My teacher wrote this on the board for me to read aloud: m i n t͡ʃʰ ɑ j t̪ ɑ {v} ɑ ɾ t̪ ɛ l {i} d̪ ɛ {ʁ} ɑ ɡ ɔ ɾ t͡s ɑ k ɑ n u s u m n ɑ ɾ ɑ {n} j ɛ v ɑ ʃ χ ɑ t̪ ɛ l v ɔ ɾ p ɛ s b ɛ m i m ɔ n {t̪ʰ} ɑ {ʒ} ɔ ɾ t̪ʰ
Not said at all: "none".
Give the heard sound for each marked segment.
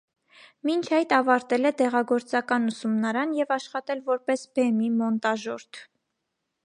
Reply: v, ɛ, ʁ, n, t̪, ʒ

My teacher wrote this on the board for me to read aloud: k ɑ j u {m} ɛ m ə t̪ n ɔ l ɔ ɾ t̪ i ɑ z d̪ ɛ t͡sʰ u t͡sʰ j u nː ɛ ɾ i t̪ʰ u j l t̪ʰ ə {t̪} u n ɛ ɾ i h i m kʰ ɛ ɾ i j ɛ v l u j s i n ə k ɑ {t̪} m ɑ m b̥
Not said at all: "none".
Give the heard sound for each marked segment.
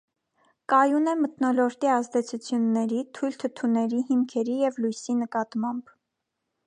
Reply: n, t̪ʰ, t̪

